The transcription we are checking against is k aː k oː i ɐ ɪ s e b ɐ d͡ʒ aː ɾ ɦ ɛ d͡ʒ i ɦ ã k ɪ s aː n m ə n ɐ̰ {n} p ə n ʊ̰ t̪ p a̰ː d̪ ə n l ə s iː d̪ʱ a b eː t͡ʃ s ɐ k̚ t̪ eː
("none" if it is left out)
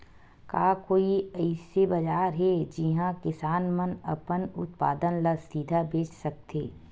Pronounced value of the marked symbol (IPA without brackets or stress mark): none